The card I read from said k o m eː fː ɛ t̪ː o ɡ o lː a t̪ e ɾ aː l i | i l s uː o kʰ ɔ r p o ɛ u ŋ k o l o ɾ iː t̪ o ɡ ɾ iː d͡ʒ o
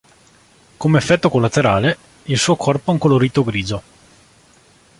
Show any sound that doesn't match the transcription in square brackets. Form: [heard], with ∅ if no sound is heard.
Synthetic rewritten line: k o m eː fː ɛ t̪ː o [k] o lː a t̪ e ɾ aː l [e] | i l s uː o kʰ ɔ r p o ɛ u ŋ k o l o ɾ iː t̪ o ɡ ɾ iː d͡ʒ o